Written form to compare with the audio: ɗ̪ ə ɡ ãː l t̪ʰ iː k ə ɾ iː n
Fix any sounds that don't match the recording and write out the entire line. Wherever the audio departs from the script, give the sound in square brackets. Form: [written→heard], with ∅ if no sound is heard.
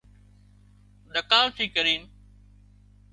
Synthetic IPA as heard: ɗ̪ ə [ɡ→k] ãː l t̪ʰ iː k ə ɾ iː n